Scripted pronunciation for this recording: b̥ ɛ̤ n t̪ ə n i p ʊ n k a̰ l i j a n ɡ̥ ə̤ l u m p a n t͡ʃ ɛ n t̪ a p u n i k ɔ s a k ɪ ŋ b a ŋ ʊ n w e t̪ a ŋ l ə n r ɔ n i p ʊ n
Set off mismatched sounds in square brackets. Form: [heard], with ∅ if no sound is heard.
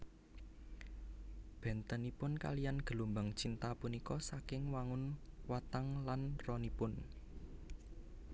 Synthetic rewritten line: b̥ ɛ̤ n t̪ ə n i p ʊ n k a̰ l i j a n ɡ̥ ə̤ l u m [b] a [ŋ] t͡ʃ [i] n t̪ a p u n i k ɔ s a k ɪ ŋ [w] a ŋ ʊ n w [a] t̪ a ŋ l [a] n r ɔ n i p ʊ n